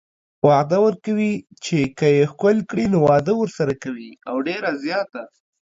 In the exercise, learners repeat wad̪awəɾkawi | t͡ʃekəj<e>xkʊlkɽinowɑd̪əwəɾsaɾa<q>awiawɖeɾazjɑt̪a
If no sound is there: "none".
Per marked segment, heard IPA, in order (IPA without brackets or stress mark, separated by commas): e, k